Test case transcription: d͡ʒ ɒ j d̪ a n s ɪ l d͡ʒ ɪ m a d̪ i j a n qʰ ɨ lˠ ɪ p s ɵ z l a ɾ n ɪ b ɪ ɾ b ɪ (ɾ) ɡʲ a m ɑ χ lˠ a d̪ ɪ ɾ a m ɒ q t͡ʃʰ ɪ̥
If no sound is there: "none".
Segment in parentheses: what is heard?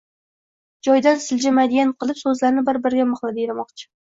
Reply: ɾ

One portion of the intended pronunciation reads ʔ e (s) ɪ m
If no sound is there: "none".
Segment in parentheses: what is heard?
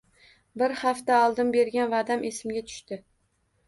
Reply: s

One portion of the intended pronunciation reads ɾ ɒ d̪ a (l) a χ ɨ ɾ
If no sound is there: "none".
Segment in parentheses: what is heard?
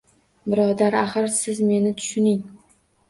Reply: ɾ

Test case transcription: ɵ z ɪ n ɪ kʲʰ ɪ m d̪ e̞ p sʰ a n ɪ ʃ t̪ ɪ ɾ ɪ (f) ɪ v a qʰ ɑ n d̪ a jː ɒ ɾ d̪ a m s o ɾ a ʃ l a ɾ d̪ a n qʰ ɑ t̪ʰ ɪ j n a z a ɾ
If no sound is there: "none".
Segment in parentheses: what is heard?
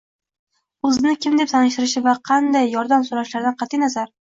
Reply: ʃ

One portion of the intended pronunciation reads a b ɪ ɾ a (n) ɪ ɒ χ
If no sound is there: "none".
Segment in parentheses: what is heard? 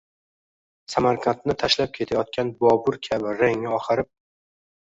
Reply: ŋ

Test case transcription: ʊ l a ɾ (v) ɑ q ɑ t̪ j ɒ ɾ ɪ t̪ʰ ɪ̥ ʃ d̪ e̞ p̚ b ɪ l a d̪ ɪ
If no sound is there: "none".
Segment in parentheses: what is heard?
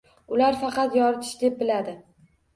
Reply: f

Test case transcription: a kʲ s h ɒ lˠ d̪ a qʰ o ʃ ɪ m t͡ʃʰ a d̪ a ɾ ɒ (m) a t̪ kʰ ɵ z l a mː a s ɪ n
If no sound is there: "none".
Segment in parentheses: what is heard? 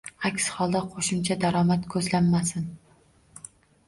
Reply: m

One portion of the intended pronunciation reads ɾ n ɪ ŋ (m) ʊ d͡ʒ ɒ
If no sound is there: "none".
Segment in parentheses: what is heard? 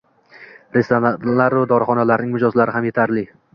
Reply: m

